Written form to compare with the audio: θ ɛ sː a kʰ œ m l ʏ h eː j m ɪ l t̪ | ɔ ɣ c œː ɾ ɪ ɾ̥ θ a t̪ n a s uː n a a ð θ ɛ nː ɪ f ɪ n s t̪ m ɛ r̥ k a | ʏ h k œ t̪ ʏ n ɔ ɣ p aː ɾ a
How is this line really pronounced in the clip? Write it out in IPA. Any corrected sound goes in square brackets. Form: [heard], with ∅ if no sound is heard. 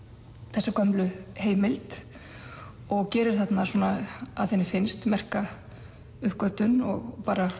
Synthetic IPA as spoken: θ ɛ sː a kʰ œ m l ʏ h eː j m ɪ l t̪ | ɔ ɣ c [ɛː] ɾ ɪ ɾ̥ θ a t̪ n a s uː n a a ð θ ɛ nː ɪ f ɪ n s t̪ m ɛ r̥ k a | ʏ h k œ t̪ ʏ n ɔ ɣ p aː ɾ a